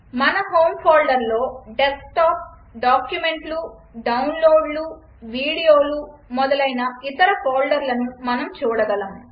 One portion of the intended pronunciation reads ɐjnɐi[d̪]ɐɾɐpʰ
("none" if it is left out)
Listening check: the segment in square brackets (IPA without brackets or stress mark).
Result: t̪